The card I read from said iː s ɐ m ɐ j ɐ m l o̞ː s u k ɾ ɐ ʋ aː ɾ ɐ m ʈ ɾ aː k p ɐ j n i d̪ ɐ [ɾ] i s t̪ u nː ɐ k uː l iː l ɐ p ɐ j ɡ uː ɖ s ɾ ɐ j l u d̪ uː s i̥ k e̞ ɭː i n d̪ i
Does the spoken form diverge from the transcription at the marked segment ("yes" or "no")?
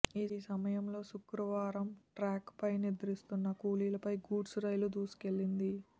no